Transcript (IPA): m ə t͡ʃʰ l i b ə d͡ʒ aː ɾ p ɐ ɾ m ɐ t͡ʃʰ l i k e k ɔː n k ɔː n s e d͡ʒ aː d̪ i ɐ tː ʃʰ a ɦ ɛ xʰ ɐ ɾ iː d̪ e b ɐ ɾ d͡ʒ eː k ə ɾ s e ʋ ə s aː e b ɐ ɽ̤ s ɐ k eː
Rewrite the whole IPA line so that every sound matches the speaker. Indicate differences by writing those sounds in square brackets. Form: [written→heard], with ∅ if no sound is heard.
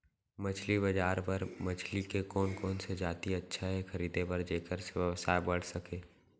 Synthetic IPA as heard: m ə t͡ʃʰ l i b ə d͡ʒ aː ɾ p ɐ ɾ m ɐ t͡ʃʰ l i k e k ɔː n k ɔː n s e d͡ʒ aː [d̪→t̪] i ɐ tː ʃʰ a ɦ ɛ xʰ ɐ ɾ iː d̪ e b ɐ ɾ d͡ʒ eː k ə ɾ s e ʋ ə s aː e b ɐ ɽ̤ s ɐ k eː

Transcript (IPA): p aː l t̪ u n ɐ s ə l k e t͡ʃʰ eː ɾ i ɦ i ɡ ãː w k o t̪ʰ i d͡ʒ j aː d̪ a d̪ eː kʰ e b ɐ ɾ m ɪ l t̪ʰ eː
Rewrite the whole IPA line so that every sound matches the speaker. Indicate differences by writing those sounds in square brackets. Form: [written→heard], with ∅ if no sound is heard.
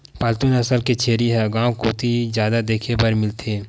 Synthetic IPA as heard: p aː l t̪ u n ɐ s ə l k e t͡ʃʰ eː ɾ i ɦ [i→ɛ] ɡ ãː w k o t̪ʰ i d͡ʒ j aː d̪ a d̪ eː kʰ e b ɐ ɾ m ɪ l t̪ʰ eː

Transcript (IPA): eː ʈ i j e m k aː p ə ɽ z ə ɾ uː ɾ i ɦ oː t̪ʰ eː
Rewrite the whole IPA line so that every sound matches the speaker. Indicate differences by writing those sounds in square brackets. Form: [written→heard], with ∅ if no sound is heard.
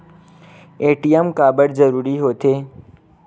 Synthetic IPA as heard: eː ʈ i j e m k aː [p→b] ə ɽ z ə ɾ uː ɾ i ɦ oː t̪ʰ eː

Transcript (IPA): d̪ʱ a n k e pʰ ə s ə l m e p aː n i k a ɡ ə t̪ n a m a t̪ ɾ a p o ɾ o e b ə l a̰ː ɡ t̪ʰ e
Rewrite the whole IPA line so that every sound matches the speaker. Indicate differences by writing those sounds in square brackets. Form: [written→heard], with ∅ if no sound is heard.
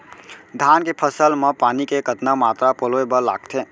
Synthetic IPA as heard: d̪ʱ a n k e pʰ ə s ə l m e p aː n i k [a→e] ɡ ə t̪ n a m a t̪ ɾ a p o [ɾ→l] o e b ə l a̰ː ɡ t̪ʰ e

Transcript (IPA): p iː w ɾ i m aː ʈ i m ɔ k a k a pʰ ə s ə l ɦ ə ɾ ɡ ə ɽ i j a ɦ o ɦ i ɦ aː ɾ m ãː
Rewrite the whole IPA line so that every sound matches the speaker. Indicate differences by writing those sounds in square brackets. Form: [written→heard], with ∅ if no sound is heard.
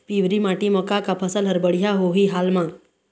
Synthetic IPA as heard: p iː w ɾ i m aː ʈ i m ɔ k a k a pʰ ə s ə l ɦ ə ɾ [ɡ→b] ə ɽ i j a ɦ o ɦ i ɦ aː [ɾ→l] m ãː

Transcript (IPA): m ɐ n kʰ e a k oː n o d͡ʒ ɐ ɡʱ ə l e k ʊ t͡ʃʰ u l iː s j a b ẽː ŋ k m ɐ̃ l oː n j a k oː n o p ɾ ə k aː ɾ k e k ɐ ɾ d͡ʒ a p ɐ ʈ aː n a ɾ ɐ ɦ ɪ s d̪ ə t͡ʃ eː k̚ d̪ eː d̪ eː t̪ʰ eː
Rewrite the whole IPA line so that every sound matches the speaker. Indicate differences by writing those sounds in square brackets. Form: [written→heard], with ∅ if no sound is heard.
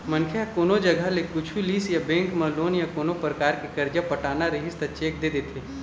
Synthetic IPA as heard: m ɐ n kʰ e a k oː n o d͡ʒ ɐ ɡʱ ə l e k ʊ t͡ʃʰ u l iː s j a b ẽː ŋ k m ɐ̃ l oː n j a k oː n o p ɾ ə k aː ɾ k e k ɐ ɾ d͡ʒ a p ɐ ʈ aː n a ɾ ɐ ɦ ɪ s [d̪→t̪] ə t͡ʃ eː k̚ d̪ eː d̪ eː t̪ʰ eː

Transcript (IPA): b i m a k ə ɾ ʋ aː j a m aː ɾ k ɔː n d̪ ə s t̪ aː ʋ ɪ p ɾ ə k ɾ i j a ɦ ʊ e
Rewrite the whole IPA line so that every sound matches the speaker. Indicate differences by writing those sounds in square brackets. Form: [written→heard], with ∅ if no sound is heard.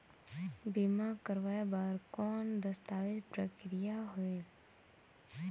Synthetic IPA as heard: b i m a k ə ɾ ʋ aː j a [m→b] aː ɾ k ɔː n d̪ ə s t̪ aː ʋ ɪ p ɾ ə k ɾ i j a ɦ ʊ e

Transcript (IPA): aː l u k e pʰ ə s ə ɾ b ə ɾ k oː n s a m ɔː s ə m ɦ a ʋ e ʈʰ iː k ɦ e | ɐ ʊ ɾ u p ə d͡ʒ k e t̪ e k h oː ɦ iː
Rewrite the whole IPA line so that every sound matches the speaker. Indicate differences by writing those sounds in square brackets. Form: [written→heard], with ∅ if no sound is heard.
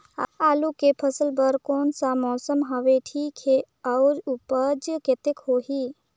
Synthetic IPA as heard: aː l u k e pʰ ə s ə [ɾ→l] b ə ɾ k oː n s a m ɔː s ə m ɦ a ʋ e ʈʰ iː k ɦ e | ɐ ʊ ɾ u p ə d͡ʒ k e t̪ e k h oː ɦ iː

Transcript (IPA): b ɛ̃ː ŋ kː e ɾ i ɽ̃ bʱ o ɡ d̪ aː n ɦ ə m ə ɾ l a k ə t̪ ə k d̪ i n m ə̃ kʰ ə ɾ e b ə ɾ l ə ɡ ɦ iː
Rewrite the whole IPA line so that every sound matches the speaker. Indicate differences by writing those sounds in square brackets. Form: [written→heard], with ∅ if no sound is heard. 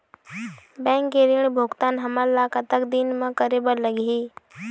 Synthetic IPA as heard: b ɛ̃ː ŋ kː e ɾ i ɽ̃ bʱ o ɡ [d̪→t̪] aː n ɦ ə m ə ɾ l a k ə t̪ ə k d̪ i n m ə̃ [kʰ→k] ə ɾ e b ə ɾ l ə ɡ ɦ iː

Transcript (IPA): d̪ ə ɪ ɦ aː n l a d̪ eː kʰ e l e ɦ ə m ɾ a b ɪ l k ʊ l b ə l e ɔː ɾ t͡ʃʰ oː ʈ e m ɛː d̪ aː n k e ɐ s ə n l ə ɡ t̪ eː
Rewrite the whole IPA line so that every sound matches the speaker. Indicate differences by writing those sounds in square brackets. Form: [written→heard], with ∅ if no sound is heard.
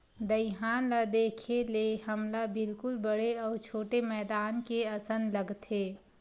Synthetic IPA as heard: d̪ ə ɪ ɦ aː n l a d̪ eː kʰ e l e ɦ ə m [ɾ→l] a b ɪ l k ʊ l b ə [l→ɽ] e ɔː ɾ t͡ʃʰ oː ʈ e m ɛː d̪ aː n k e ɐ s ə n l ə ɡ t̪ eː

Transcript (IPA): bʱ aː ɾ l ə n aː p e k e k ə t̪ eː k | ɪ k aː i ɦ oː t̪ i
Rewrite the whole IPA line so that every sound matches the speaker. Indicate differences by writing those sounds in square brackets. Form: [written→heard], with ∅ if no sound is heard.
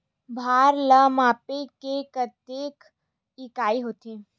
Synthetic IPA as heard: bʱ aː ɾ l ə [n→m] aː p e k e k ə t̪ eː k | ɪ k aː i ɦ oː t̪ i

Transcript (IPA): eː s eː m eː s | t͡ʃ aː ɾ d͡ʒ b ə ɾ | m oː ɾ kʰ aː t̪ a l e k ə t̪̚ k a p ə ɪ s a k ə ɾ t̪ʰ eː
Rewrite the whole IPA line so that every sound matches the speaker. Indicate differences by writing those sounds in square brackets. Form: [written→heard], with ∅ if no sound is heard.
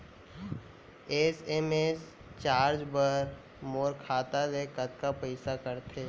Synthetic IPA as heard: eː s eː m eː s | t͡ʃ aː ɾ d͡ʒ b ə ɾ | m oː ɾ kʰ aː t̪ a l e k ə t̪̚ k a p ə ɪ s a k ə ɾ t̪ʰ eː

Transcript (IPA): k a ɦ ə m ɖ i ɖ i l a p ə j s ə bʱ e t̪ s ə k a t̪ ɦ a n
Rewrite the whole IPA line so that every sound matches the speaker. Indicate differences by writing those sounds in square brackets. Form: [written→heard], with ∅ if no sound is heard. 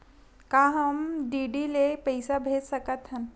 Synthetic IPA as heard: k a ɦ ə m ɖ i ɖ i l [a→e] p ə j s [ə→a] bʱ e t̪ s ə k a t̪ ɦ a n

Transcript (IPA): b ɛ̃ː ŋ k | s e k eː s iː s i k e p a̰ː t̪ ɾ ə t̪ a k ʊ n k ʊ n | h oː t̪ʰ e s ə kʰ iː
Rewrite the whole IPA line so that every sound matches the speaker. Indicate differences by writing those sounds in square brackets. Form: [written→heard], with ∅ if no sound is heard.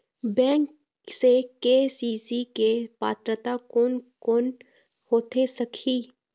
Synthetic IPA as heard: b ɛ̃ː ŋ k | s e k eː s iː s i k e p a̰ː t̪ ɾ ə t̪ a k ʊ n k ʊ n | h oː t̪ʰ e s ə kʰ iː

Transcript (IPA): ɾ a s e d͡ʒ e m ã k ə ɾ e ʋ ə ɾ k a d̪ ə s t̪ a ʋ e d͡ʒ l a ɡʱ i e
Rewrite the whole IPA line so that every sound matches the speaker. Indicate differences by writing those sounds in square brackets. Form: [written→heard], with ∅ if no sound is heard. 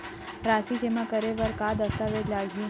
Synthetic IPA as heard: ɾ a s [e→i] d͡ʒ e m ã k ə ɾ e ʋ ə ɾ k a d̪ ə s t̪ a ʋ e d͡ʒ l a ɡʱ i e

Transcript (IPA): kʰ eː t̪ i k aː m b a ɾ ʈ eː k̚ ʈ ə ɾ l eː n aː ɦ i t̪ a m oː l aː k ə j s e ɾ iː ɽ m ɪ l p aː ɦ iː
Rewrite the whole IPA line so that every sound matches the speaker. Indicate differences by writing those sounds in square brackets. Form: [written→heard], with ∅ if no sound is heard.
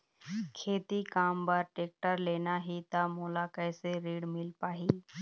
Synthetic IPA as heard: kʰ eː t̪ i k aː m b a ɾ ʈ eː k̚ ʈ ə ɾ l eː n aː ɦ i t̪ a m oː l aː k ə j s e ɾ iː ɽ m ɪ l p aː ɦ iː

